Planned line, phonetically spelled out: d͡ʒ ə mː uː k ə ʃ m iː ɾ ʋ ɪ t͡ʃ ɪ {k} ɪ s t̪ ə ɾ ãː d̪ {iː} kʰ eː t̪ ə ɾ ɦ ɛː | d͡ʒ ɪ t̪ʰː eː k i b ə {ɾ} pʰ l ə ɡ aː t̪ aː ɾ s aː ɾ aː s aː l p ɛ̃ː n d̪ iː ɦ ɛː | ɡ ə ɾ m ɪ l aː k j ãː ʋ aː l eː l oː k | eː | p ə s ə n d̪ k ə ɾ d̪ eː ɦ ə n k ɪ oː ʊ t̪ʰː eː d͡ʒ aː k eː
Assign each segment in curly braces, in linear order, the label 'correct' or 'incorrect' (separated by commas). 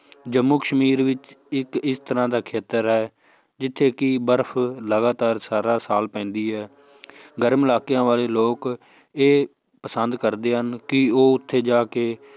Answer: correct, incorrect, correct